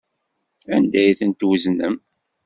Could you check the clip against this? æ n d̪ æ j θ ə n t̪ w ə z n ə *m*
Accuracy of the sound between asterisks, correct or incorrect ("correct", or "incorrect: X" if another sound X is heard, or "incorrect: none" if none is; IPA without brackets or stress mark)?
correct